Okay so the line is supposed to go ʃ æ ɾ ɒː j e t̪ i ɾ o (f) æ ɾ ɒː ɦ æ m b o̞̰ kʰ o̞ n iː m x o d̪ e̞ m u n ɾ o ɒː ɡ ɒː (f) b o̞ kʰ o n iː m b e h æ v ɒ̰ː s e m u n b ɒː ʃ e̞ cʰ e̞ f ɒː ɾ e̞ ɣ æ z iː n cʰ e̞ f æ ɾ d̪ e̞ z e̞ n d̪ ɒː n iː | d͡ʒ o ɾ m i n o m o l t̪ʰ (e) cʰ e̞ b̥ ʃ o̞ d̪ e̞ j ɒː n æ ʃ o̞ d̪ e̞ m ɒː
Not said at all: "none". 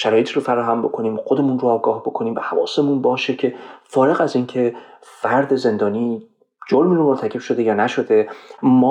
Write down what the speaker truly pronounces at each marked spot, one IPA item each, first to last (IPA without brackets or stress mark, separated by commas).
f, h, æ